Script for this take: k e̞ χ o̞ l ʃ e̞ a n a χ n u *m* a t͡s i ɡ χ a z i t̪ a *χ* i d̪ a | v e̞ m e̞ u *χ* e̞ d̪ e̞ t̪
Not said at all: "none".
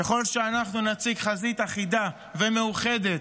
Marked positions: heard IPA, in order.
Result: n, χ, χ

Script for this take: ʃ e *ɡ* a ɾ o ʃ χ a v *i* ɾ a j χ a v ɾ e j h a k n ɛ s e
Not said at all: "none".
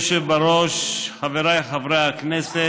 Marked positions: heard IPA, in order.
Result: b, e

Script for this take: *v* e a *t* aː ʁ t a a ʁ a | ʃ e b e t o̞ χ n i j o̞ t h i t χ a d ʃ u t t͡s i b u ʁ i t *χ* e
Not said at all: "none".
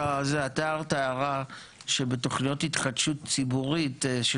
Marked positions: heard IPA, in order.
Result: z, t, ʃ

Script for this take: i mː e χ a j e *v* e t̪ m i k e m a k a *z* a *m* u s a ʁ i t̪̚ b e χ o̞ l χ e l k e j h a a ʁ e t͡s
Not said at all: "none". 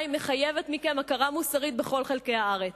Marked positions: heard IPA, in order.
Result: v, ʁ, m

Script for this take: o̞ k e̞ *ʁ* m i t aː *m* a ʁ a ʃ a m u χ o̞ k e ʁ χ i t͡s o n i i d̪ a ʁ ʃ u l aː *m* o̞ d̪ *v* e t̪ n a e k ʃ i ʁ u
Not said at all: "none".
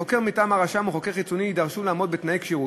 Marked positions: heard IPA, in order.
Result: ʁ, m, m, b

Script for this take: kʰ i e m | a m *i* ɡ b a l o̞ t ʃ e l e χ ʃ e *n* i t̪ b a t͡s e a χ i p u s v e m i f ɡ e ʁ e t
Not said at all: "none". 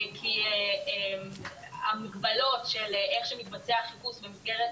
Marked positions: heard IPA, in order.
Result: i, m

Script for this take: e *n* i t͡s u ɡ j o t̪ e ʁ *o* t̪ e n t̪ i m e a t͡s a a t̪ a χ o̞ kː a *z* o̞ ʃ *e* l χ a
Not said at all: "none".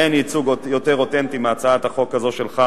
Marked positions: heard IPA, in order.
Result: n, o, z, e

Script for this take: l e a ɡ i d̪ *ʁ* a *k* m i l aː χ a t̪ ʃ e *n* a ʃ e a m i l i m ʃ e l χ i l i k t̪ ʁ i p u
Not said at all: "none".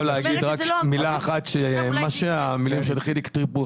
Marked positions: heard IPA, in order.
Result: ʁ, k, m

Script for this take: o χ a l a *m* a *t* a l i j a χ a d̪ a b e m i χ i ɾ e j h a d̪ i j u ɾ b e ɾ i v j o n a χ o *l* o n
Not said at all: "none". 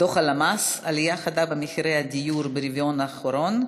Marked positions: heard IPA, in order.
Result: m, s, ɾ

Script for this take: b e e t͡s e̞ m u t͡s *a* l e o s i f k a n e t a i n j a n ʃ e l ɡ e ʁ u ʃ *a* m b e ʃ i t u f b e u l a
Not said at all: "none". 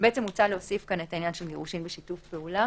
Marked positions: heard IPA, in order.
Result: a, i

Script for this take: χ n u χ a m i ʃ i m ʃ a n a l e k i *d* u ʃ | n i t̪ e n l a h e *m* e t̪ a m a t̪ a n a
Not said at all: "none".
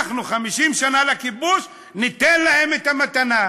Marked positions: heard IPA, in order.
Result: b, m

